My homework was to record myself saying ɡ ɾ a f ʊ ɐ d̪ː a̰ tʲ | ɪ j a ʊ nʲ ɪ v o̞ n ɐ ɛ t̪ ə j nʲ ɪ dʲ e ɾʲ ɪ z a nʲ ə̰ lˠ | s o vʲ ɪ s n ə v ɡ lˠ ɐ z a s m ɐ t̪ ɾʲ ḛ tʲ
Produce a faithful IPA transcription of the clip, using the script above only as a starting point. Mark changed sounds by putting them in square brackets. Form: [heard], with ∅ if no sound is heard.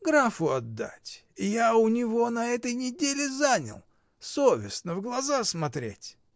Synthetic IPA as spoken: ɡ ɾ a f ʊ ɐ d̪ː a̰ tʲ | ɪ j a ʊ nʲ ɪ v o̞ n ɐ ɛ t̪ ə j nʲ ɪ dʲ e [lʲ] ɪ z a nʲ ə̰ lˠ | s o vʲ ɪ s n ə v ɡ lˠ ɐ z a s m ɐ t̪ ɾʲ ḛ tʲ